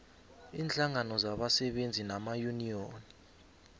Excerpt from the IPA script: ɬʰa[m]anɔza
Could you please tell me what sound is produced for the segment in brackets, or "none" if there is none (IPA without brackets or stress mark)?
ŋ